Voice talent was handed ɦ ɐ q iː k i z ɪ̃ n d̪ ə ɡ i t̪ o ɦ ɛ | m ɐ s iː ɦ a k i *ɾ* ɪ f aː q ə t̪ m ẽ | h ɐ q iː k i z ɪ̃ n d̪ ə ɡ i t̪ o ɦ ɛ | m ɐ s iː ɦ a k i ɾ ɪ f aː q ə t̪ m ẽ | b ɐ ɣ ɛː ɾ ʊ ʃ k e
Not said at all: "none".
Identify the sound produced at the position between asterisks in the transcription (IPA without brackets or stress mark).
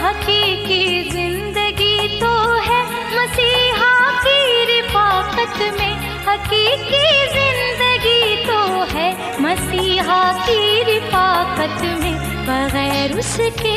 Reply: ɾ